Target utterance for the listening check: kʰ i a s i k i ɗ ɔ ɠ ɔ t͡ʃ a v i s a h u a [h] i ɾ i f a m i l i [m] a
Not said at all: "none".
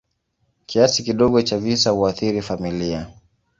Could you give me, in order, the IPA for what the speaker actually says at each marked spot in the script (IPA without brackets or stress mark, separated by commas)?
θ, none